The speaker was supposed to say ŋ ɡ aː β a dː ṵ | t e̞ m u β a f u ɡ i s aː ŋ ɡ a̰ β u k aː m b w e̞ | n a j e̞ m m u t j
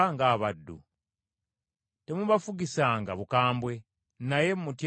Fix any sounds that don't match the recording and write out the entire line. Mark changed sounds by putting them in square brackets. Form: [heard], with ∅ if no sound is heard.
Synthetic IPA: ŋ ɡ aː β a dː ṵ | t e̞ m u β a f u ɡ i s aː ŋ ɡ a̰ β u k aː m b w e̞ | n a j e̞ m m u t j